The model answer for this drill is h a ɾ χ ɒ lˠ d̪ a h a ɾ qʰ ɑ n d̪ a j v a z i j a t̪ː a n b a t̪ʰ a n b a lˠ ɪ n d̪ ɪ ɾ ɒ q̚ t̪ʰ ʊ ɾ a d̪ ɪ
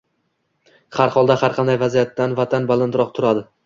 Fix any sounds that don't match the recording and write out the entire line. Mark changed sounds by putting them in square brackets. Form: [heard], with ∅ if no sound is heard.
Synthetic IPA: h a ɾ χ ɒ lˠ d̪ a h a ɾ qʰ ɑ n d̪ a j v a z i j a t̪ː a n [v] a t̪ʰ a n b a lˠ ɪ n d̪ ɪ ɾ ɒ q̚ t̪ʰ ʊ ɾ a d̪ ɪ